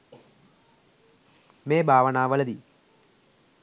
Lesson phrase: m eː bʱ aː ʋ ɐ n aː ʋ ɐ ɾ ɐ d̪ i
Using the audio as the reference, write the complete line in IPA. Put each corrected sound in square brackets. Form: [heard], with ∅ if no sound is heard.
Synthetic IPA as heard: m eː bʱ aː ʋ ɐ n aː ʋ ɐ [l] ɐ d̪ i